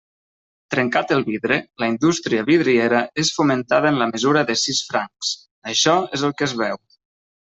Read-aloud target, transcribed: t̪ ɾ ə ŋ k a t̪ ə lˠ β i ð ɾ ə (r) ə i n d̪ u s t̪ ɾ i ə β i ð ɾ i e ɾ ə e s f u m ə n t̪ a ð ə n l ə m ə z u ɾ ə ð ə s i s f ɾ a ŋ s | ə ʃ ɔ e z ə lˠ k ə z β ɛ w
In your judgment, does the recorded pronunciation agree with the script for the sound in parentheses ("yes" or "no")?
no